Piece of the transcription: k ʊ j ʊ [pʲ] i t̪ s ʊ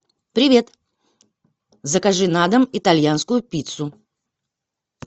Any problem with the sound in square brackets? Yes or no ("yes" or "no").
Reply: no